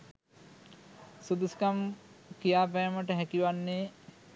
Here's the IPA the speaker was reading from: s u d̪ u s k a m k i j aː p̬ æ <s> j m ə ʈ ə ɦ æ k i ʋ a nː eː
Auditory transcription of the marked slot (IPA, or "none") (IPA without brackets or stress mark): none